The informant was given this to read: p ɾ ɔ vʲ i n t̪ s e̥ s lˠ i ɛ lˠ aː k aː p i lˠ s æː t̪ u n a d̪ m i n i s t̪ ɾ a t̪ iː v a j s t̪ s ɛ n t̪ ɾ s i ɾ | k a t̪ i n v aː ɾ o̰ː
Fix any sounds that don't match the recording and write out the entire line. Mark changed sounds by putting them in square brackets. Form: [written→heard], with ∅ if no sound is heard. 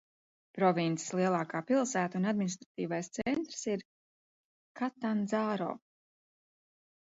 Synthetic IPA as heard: p ɾ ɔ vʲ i n t̪ s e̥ s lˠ i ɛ lˠ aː k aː p i lˠ s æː t̪ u n a d̪ m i n i s t̪ ɾ a t̪ iː v a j s t̪ s ɛ n t̪ ɾ s i ɾ | k a t̪ [i→a] n [v→z] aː ɾ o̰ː